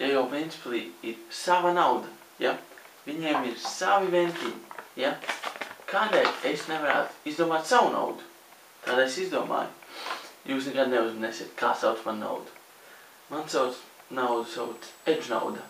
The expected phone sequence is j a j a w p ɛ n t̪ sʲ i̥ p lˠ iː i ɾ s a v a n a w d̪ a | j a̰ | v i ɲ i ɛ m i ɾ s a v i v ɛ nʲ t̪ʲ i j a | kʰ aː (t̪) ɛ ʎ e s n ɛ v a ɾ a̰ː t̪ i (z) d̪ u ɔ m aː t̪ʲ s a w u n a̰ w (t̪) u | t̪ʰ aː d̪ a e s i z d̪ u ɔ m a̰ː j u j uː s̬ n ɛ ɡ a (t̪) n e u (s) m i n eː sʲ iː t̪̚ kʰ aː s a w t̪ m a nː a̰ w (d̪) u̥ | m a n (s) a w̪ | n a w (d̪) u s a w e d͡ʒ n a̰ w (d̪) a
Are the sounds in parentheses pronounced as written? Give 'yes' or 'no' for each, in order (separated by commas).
no, yes, no, no, no, yes, yes, yes, yes